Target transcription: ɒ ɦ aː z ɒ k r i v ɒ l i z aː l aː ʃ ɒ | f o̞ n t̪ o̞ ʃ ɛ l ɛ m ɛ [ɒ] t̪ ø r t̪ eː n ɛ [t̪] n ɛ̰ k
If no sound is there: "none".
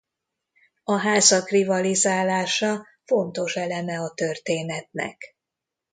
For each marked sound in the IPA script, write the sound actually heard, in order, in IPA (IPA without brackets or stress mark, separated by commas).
ɒ, t̪